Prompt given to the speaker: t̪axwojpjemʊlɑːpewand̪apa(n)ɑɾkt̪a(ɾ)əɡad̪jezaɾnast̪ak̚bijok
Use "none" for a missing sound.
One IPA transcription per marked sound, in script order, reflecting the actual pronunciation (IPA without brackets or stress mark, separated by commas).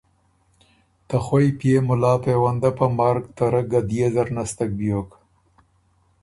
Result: m, ɾ